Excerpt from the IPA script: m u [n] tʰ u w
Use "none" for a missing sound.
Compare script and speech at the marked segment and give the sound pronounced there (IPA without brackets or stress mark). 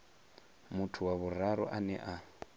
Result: none